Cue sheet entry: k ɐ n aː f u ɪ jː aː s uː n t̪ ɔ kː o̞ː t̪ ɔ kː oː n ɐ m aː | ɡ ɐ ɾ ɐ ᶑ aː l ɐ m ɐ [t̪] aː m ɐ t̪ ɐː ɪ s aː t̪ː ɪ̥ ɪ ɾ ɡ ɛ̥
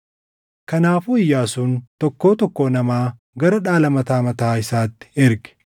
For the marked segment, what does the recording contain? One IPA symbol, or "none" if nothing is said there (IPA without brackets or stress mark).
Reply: t̪